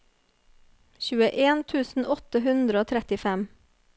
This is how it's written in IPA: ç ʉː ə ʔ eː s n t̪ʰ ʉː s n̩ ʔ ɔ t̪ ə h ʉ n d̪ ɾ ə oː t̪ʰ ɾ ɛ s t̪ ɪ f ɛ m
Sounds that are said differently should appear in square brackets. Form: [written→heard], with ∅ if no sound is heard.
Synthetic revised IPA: ç ʉː ə ʔ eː [s→∅] n t̪ʰ ʉː s n̩ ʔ ɔ t̪ ə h ʉ n d̪ ɾ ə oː t̪ʰ ɾ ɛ [s→∅] t̪ ɪ f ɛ m